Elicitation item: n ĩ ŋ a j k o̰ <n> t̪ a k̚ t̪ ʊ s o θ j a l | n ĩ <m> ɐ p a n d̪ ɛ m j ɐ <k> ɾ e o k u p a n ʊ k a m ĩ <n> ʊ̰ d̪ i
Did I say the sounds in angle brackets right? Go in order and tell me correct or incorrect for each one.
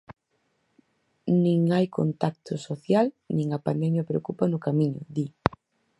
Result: correct, incorrect: ŋ, incorrect: p, incorrect: ɲ

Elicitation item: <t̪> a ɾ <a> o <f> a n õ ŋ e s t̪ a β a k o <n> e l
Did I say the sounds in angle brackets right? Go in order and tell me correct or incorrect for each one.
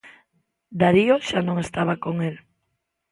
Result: incorrect: d̪, incorrect: i, incorrect: ʃ, incorrect: ŋ

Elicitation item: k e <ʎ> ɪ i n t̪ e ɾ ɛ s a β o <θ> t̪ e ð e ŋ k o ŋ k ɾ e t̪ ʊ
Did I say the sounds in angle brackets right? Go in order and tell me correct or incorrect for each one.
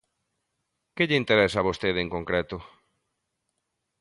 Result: correct, incorrect: s

